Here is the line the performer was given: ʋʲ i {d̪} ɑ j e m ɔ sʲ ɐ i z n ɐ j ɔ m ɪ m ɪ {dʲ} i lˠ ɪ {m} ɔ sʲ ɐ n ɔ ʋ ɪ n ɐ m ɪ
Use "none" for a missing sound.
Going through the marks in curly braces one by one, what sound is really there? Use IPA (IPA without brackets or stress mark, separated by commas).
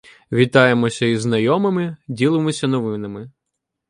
t̪, dʲ, m